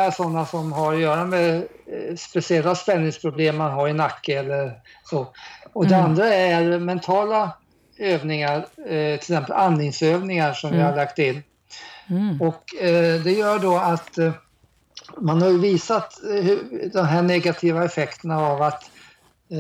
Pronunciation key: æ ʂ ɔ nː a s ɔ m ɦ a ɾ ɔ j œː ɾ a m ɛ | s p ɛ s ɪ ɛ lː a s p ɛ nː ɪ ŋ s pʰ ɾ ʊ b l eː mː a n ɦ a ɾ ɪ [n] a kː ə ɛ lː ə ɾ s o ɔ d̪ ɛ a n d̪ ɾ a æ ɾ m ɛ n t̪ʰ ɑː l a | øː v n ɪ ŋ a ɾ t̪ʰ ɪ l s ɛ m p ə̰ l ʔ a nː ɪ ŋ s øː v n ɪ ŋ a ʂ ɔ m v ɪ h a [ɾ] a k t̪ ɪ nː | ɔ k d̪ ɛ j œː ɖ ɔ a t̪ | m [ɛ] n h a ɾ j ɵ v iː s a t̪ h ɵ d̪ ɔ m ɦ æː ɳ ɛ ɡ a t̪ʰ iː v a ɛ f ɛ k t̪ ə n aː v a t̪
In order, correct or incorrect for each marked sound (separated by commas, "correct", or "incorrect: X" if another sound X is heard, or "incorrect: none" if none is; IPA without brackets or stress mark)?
correct, incorrect: ɭ, incorrect: a